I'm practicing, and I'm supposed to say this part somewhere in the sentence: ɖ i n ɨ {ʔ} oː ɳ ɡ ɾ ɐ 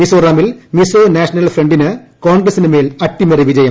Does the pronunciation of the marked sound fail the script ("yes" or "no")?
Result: yes